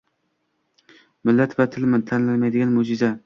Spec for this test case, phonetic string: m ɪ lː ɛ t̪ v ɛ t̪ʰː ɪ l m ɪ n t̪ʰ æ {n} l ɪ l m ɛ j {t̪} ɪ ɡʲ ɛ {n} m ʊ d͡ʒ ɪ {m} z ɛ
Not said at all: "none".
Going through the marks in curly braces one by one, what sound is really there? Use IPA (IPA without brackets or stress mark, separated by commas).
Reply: n, d̪, n, none